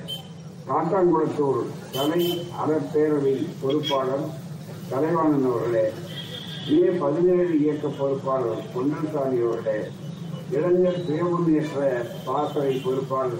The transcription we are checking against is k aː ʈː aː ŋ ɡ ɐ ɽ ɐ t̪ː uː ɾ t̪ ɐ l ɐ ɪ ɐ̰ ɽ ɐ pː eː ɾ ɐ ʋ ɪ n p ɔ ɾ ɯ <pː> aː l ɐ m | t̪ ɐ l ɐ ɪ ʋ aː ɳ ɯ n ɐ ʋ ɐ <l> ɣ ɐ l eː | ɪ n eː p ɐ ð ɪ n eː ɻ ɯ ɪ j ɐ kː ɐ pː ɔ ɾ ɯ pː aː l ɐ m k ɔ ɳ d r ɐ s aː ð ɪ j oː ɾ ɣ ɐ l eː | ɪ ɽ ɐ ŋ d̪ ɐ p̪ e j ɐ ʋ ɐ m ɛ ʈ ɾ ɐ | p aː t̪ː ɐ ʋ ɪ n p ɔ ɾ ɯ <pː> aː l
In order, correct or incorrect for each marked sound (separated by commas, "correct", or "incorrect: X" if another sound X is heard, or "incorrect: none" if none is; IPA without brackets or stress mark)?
correct, incorrect: ɾ, correct